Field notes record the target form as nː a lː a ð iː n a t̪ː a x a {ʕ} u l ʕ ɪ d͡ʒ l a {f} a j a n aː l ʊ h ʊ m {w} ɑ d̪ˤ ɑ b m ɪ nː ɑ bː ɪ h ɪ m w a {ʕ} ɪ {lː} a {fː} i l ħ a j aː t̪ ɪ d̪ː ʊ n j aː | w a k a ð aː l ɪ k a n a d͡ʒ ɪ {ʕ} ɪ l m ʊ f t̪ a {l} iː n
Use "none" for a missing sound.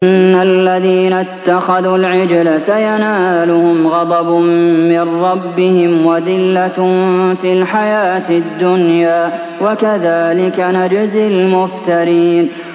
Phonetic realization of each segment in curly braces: ð, s, ɣ, ð, lː, f, z, ɾ

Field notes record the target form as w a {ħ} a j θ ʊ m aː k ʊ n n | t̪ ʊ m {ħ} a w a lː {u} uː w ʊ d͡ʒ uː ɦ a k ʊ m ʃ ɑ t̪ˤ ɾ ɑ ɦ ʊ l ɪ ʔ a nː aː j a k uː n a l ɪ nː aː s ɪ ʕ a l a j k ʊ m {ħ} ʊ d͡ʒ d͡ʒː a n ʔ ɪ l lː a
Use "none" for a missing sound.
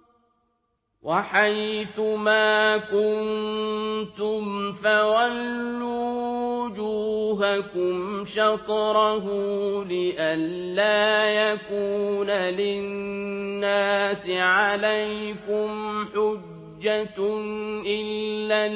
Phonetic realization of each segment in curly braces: ħ, f, u, ħ

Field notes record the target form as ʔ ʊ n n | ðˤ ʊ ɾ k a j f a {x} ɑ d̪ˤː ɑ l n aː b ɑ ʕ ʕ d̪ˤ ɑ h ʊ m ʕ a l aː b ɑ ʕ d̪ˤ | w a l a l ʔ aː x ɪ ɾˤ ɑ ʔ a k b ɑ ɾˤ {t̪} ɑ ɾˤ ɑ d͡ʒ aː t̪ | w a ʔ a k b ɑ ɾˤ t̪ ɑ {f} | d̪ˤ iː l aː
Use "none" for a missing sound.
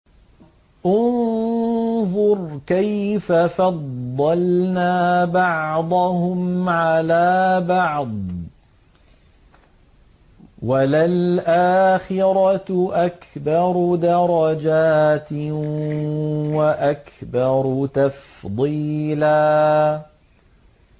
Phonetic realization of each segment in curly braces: f, d̪, f

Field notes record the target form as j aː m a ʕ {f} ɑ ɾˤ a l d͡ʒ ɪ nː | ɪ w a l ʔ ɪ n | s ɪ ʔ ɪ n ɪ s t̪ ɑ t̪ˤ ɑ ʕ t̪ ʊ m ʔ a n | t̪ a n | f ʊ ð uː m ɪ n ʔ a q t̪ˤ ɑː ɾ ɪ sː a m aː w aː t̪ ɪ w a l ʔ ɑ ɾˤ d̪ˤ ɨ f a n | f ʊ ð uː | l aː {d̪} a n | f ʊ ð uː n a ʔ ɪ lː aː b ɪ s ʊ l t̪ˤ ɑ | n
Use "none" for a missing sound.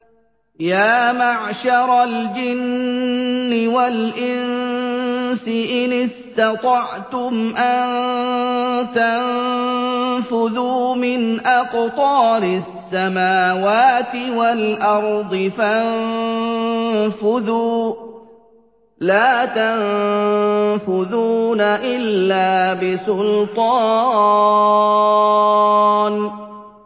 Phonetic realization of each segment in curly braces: ʃ, t̪

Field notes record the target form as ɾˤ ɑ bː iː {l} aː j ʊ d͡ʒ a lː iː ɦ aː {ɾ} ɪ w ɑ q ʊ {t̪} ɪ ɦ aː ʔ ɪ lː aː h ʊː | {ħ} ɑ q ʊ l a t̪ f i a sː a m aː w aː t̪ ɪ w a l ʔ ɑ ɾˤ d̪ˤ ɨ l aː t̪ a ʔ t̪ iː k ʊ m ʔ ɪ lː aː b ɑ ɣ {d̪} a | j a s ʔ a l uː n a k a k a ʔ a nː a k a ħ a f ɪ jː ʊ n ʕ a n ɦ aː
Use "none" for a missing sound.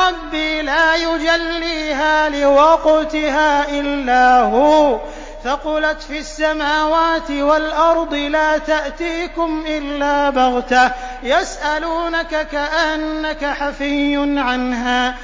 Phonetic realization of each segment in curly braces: l, l, t̪, f, t̪

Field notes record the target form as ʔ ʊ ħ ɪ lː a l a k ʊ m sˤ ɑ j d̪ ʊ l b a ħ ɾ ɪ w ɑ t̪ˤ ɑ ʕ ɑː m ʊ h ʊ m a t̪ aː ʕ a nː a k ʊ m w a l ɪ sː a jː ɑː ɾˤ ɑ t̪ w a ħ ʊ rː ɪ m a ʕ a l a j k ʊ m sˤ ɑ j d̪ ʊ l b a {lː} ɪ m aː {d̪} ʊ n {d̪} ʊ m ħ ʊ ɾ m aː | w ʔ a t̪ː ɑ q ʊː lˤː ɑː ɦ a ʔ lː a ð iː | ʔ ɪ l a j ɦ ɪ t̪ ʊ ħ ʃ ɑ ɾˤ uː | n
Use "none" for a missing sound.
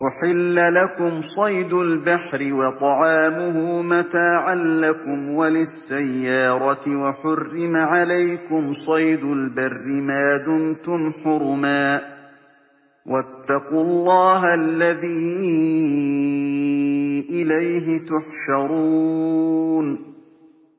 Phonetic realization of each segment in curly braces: rː, d̪, t̪

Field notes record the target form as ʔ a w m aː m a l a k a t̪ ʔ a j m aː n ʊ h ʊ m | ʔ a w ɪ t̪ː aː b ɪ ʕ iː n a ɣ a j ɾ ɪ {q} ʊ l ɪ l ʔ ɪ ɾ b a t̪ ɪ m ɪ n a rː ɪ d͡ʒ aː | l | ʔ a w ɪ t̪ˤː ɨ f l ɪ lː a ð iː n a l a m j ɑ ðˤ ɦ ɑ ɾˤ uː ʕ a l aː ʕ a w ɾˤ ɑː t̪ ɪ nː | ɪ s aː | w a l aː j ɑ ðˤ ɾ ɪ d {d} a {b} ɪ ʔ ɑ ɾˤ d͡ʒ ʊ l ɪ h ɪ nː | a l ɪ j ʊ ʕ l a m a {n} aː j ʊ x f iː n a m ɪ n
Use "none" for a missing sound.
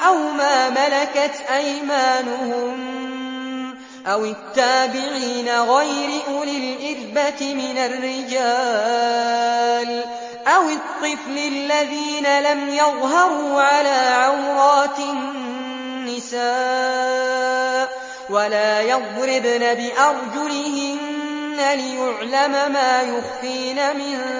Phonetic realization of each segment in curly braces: ʔ, n, b, m

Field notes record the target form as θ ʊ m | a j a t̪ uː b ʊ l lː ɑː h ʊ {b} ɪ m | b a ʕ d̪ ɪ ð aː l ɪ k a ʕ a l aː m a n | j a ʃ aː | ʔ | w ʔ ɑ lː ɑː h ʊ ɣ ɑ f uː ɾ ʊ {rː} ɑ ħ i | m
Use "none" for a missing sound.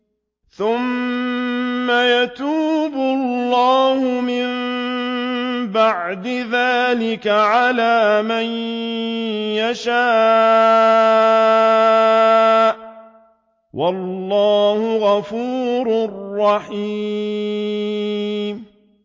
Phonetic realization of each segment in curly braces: m, rː

